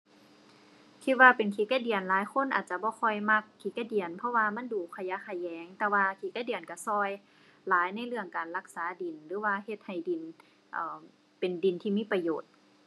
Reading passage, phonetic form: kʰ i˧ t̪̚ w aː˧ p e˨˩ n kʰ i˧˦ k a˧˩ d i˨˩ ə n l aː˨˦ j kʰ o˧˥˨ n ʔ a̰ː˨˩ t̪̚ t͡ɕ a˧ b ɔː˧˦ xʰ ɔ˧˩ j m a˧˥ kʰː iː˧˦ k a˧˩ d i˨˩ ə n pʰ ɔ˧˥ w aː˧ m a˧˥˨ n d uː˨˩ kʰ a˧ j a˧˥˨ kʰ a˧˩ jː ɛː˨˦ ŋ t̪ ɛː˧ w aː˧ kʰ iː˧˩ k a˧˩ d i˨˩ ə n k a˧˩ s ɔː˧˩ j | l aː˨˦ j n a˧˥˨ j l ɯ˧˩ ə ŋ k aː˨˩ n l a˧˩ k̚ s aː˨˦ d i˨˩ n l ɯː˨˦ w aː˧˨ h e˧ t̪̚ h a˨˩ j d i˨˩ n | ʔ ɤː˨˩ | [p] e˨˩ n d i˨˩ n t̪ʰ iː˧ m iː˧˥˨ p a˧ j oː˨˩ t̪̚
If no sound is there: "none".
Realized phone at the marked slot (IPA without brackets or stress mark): p